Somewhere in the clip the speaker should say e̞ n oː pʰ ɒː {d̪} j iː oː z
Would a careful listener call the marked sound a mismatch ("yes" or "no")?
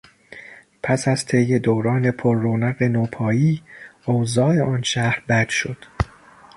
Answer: yes